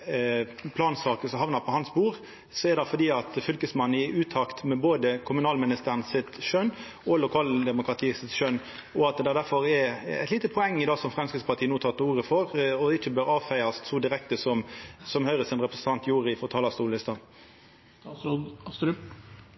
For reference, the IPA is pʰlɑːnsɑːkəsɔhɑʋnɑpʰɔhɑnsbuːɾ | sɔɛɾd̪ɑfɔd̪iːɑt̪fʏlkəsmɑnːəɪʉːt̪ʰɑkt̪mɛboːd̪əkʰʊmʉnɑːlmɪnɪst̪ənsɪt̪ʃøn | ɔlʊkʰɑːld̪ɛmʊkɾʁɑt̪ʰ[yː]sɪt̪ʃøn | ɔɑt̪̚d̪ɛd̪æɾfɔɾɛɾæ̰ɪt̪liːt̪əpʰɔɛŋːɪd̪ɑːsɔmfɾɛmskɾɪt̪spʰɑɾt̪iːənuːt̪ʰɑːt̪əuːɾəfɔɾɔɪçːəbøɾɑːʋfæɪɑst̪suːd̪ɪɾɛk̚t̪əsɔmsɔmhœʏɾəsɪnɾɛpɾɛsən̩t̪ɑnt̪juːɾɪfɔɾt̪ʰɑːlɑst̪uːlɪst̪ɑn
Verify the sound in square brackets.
incorrect: iː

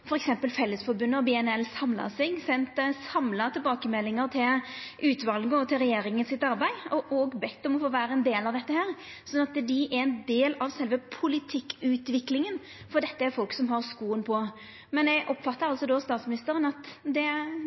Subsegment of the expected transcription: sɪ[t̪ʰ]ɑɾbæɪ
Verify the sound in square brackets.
incorrect: t̪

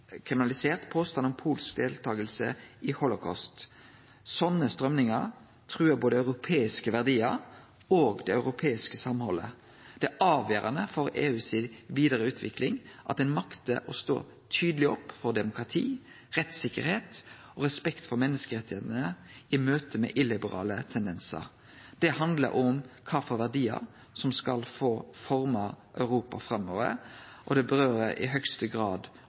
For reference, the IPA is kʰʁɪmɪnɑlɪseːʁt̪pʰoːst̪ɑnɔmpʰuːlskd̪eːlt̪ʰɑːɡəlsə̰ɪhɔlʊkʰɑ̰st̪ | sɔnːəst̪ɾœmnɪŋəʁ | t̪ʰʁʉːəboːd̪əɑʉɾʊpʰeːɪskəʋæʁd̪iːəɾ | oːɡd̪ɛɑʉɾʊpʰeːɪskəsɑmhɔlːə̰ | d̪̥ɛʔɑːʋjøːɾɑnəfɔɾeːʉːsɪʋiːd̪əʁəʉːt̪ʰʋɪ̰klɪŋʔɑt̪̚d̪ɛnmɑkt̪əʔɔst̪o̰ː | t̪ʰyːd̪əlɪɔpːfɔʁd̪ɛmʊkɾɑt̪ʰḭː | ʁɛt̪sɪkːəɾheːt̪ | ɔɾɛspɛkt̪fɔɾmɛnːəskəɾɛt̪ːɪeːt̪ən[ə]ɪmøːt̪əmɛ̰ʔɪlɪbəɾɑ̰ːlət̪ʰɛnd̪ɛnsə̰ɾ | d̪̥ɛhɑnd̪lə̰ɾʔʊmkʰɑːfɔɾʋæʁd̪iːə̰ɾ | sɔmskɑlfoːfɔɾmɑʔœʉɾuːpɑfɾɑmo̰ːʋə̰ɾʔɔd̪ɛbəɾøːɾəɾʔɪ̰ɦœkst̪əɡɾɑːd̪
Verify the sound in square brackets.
correct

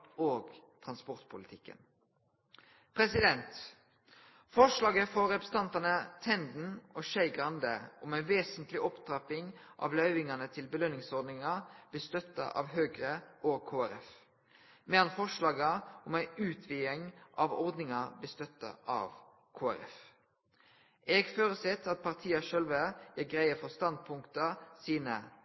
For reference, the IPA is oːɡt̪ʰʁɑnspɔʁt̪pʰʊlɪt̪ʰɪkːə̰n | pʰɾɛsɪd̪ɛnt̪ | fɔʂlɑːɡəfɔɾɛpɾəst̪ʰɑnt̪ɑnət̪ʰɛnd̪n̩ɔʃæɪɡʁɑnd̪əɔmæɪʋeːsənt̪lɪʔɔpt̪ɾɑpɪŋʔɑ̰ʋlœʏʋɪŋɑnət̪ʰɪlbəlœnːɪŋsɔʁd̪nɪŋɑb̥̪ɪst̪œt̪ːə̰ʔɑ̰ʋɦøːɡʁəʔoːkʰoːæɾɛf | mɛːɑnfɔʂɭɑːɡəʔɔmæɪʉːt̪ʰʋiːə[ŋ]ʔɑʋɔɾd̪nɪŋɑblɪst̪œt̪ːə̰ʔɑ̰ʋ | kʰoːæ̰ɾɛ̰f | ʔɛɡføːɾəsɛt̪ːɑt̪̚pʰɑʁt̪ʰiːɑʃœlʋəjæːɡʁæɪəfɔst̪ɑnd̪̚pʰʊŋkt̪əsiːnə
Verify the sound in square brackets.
correct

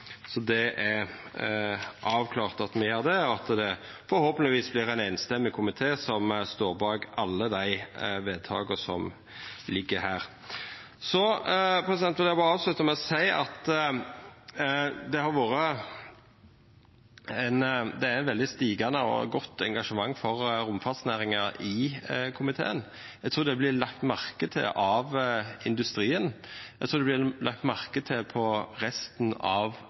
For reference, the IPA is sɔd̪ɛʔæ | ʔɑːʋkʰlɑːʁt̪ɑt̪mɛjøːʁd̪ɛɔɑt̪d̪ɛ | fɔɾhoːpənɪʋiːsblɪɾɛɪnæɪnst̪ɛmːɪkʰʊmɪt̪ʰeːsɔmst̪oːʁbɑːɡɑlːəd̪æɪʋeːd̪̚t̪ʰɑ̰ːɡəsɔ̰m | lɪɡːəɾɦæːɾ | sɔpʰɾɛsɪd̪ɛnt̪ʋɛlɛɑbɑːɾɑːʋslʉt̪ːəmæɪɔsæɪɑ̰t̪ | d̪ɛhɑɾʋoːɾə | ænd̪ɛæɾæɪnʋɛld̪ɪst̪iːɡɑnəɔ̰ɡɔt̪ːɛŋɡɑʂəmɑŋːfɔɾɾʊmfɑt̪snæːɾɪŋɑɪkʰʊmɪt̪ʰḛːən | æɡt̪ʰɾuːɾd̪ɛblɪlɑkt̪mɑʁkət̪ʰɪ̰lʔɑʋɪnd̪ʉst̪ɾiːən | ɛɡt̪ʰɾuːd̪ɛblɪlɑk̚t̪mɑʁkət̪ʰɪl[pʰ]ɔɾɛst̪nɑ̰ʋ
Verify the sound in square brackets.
correct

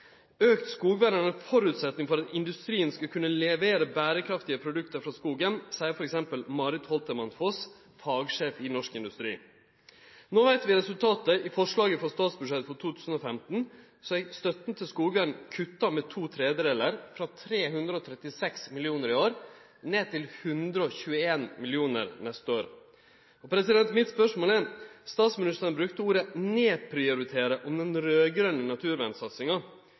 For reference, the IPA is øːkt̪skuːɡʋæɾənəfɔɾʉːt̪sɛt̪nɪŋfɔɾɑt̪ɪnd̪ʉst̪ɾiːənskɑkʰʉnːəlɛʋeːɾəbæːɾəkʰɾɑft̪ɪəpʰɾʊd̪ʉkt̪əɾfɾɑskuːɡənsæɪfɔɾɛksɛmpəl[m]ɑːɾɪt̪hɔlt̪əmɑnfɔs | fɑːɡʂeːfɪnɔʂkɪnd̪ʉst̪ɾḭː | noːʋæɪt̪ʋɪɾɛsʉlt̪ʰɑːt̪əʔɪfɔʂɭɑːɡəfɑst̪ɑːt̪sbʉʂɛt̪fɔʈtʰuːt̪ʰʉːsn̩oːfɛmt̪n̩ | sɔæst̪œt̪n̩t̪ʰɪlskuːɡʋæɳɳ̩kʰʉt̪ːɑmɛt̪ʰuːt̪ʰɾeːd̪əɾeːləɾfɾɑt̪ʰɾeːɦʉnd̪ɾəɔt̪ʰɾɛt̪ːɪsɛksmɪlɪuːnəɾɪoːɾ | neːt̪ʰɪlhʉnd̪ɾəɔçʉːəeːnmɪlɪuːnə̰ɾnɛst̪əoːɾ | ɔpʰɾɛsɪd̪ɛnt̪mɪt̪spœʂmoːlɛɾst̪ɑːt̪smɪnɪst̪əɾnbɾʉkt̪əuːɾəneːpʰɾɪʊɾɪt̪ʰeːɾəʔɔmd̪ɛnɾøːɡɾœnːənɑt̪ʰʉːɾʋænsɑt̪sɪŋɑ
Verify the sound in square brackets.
correct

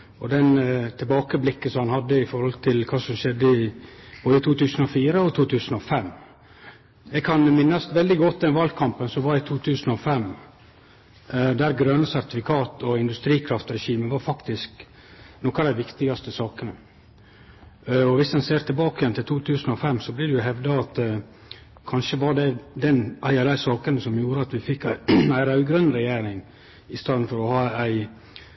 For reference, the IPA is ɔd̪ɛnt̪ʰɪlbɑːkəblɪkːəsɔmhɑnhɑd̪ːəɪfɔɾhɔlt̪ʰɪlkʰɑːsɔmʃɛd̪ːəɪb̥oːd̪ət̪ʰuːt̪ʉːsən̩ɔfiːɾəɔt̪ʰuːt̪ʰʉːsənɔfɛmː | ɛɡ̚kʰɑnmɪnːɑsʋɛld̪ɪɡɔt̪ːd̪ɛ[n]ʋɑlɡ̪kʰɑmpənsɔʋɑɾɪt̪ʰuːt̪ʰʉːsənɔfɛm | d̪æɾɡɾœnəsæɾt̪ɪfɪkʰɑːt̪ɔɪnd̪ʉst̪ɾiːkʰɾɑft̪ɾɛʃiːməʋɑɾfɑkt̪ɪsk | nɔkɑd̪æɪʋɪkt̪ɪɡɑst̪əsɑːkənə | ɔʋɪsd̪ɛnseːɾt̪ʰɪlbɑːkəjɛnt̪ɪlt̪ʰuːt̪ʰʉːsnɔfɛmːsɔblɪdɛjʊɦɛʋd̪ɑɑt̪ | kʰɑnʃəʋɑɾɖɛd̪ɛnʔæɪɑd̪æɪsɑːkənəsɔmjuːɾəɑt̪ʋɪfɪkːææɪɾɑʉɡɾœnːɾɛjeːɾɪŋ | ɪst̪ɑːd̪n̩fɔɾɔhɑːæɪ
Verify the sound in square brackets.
correct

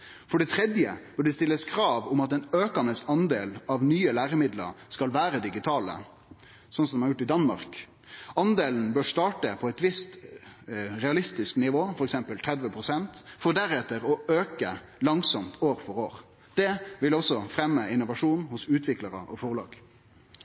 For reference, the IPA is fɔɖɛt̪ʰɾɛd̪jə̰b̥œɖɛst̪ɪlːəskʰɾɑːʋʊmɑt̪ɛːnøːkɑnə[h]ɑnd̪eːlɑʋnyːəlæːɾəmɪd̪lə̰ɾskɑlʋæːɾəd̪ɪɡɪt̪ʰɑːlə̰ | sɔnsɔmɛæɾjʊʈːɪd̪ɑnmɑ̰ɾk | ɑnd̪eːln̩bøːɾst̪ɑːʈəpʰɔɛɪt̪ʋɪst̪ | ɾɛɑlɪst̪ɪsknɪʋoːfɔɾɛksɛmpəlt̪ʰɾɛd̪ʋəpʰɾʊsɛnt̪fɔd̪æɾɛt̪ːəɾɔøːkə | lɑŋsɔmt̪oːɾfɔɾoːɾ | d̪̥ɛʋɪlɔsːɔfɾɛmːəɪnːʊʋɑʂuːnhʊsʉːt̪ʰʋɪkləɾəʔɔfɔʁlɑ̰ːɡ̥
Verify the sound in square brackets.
incorrect: s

